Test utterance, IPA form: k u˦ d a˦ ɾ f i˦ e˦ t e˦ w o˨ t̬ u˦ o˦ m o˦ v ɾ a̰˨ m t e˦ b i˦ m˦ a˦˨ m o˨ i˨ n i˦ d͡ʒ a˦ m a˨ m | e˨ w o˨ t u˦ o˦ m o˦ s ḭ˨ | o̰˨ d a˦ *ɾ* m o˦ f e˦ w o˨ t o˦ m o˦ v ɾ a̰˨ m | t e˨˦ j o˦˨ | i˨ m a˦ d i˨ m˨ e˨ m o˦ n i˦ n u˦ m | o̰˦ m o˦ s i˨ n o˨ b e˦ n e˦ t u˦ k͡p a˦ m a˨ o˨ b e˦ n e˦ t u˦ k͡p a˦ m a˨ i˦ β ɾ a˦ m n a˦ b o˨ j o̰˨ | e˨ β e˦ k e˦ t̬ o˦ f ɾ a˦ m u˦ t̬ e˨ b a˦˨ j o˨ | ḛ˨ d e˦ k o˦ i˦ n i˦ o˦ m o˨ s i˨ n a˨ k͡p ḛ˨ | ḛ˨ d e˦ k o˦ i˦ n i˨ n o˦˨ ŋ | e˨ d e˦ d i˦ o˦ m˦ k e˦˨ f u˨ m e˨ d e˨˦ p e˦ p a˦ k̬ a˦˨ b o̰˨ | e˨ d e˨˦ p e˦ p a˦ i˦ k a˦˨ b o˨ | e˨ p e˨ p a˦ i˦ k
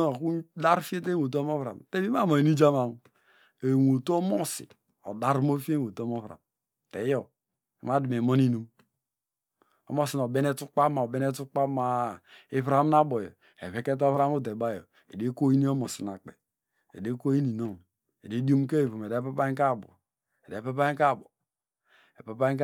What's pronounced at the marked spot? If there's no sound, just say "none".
ɾ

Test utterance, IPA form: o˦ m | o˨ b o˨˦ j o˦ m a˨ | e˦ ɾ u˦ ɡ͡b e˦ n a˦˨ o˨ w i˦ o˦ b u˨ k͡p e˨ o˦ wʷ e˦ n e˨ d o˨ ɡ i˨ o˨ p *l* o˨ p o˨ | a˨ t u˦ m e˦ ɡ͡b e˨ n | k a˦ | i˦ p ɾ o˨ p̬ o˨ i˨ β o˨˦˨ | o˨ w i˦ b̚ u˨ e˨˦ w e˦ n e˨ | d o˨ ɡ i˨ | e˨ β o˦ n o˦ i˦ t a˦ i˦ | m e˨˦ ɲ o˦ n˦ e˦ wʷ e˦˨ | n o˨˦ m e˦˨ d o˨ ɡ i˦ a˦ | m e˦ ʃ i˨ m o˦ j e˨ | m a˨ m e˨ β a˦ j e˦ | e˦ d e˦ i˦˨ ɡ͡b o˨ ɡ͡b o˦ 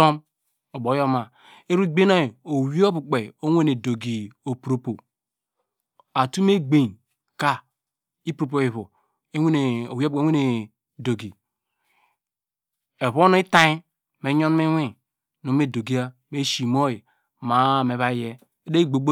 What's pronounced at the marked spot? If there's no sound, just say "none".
ɾ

